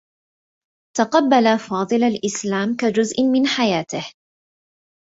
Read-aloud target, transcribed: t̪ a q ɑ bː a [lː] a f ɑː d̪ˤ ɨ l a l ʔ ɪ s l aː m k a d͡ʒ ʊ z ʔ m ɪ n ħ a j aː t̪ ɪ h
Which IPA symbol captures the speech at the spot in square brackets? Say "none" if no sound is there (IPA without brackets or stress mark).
l